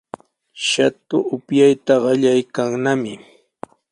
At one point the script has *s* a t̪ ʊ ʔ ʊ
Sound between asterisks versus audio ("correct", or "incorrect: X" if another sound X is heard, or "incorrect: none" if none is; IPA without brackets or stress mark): incorrect: ʃ